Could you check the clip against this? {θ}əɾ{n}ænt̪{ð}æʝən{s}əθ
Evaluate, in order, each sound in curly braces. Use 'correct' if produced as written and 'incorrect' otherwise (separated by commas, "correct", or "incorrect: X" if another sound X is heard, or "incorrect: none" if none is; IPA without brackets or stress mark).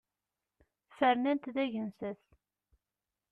incorrect: f, correct, correct, correct